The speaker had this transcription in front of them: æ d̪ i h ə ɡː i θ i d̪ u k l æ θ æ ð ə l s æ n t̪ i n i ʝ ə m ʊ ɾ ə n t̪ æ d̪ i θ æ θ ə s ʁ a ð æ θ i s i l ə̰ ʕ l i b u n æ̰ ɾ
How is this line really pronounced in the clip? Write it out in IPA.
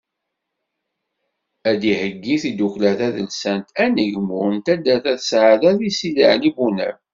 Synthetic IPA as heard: æ d̪ i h ə ɡː i θ i d̪ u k l æ θ æ ð ə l s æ n t̪ æ n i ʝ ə m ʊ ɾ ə n t̪ æ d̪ æ θ æ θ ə s ʕ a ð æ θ i s i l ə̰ ʕ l i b u n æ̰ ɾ